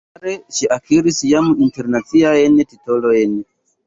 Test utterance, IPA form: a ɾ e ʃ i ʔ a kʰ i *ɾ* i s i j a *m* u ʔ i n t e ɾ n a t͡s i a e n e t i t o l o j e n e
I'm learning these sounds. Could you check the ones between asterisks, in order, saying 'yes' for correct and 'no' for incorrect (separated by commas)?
yes, yes